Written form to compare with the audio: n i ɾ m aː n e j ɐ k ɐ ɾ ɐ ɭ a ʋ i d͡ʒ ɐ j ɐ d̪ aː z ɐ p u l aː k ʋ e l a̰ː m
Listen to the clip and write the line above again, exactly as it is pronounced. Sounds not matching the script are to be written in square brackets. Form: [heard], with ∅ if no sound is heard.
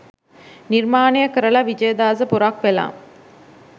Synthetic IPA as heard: n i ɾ m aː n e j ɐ k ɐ ɾ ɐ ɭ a ʋ i d͡ʒ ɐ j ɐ d̪ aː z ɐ p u [ɾ] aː k ʋ e l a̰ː m